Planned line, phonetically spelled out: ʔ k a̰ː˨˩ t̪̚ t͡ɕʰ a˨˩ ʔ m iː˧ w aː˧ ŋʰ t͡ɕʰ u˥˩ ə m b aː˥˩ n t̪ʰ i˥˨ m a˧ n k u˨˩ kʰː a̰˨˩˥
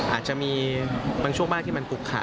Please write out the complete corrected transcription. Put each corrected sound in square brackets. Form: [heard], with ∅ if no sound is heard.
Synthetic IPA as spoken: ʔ [ʔ] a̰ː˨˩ t̪̚ [t͡ɕ] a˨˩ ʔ m iː˧ [b] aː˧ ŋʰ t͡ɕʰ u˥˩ ə [ŋ] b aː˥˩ n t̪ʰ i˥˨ m a˧ n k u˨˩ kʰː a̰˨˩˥